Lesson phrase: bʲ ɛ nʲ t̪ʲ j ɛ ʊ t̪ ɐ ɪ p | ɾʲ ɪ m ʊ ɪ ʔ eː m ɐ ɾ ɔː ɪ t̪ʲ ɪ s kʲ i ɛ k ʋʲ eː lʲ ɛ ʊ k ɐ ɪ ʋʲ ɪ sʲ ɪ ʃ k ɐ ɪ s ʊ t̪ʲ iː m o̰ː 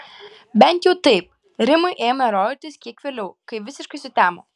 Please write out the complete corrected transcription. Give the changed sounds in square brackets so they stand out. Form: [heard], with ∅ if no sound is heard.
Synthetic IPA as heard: bʲ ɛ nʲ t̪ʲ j ɛ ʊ t̪ ɐ ɪ p | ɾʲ ɪ m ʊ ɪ ʔ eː m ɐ ɾ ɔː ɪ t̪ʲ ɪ s kʲ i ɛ k ʋʲ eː lʲ ɛ ʊ k ɐ ɪ ʋʲ ɪ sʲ ɪ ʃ k ɐ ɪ s ʊ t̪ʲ [æː] m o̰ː